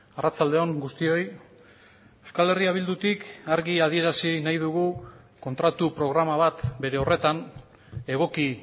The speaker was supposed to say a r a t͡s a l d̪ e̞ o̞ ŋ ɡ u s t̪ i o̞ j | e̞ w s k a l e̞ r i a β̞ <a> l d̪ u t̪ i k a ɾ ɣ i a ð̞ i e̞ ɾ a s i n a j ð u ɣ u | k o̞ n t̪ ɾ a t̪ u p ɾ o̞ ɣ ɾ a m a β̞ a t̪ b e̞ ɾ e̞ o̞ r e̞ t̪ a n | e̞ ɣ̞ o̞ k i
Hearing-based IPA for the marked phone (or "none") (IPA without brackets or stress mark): i